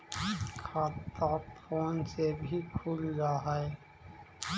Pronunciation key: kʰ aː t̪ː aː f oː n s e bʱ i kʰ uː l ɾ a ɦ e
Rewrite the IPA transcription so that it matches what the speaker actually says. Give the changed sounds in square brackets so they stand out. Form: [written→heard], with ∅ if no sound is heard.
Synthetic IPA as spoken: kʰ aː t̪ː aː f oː n s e bʱ i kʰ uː l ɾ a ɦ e